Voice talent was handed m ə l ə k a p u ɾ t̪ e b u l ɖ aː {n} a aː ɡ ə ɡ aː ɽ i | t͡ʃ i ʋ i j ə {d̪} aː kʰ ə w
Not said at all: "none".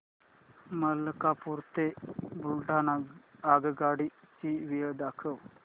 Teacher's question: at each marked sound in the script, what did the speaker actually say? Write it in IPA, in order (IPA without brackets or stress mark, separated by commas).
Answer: n, d̪